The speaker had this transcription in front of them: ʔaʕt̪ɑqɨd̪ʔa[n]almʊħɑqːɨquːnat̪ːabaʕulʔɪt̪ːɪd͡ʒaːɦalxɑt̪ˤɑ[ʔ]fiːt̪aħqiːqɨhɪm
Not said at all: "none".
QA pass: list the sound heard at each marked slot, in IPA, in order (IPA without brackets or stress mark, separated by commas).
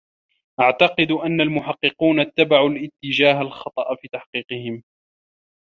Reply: nː, ʔ